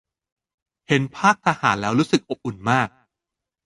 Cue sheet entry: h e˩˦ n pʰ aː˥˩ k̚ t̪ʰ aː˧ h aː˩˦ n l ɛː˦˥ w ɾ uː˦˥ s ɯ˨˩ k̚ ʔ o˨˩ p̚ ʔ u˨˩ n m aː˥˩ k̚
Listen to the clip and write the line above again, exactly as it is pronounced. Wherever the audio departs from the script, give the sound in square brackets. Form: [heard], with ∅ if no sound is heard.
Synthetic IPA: h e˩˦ n pʰ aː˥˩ k̚ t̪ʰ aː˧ h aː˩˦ n l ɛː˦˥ w ɾ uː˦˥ s ɯ˨˩ k̚ ʔ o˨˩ p̚ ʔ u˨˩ n m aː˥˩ k̚